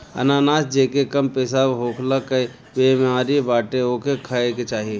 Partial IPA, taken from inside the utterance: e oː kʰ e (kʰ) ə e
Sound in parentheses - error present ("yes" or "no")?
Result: no